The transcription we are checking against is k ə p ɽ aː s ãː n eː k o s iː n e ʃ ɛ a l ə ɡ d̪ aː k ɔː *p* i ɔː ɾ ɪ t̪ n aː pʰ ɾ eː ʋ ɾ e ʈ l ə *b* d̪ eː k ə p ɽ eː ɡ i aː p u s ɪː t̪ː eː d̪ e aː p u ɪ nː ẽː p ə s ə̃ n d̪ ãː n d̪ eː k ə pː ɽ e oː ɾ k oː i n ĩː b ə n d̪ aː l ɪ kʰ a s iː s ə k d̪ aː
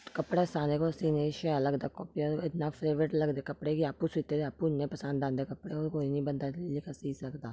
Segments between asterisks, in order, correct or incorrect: correct, incorrect

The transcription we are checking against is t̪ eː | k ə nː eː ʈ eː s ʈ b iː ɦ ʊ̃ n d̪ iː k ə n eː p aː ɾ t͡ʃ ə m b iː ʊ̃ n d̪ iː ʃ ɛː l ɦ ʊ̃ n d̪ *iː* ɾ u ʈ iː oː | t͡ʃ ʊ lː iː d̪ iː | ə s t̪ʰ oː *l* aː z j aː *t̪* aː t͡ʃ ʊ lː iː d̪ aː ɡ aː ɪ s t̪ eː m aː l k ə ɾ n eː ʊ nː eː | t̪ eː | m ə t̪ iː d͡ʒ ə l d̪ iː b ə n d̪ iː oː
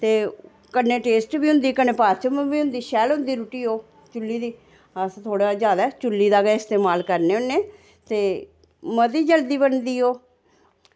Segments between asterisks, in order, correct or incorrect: correct, incorrect, incorrect

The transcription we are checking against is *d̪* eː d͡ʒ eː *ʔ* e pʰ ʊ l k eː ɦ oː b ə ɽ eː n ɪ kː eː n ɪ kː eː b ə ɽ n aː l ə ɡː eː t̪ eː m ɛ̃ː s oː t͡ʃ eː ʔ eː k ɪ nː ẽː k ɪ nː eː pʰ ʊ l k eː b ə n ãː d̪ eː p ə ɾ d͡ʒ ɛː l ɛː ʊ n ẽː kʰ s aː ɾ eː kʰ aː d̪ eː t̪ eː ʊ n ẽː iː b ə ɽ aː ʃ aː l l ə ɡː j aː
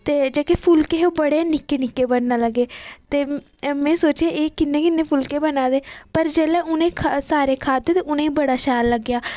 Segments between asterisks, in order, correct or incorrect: incorrect, incorrect

